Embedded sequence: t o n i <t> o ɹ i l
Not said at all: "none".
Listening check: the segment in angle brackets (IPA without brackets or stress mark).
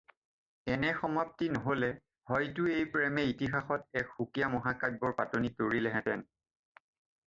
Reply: t